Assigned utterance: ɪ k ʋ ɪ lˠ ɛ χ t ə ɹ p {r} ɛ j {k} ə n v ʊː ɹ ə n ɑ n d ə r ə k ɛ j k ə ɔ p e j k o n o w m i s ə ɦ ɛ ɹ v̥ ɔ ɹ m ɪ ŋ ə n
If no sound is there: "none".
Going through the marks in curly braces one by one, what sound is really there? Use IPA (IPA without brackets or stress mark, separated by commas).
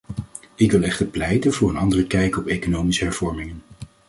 l, t